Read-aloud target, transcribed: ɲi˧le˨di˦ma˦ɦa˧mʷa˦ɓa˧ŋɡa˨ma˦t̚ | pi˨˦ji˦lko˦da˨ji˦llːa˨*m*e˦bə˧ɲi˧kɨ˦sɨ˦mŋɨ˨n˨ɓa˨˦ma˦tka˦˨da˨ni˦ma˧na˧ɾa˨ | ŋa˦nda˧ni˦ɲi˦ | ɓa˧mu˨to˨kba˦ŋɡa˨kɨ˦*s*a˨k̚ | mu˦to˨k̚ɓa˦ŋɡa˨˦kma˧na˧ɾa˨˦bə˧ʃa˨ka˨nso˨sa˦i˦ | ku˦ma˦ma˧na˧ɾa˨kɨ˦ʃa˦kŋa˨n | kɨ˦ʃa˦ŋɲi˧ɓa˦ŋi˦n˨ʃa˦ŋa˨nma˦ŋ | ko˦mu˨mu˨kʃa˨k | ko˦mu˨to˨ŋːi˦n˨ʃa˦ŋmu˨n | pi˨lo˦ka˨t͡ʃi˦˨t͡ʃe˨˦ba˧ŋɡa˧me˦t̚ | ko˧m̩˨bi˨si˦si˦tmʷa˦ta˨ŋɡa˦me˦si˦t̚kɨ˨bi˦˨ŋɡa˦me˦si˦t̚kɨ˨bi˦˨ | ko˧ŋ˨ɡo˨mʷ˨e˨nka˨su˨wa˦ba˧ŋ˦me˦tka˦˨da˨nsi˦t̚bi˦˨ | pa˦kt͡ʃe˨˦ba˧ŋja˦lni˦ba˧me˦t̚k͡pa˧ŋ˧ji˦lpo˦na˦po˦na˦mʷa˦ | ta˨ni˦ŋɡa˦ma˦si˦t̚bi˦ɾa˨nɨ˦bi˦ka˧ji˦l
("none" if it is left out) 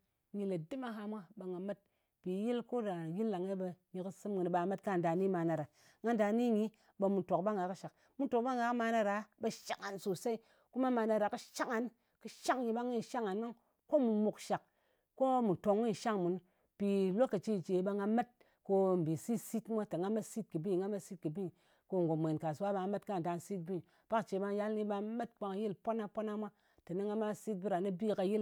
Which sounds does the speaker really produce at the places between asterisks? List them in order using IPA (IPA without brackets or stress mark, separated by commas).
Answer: ŋ, ʃ